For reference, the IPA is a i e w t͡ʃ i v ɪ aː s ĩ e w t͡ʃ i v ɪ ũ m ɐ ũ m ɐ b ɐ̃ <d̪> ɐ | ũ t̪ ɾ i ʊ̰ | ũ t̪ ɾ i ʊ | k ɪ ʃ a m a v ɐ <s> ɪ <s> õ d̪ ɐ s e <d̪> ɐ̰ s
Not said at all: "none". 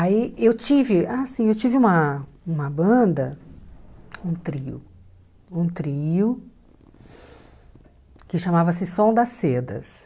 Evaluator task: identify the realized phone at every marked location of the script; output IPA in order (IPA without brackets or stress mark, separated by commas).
d̪, s, s, d̪